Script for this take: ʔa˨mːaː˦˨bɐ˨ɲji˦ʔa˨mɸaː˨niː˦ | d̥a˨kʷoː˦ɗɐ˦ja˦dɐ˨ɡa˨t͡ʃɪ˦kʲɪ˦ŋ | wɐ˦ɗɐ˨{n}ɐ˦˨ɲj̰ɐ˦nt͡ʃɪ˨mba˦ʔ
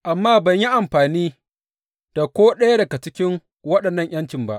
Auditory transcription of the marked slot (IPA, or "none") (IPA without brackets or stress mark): nː